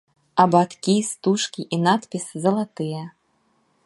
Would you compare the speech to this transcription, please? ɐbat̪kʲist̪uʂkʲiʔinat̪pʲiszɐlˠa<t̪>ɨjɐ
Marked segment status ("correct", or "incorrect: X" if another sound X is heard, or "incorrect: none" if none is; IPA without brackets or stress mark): correct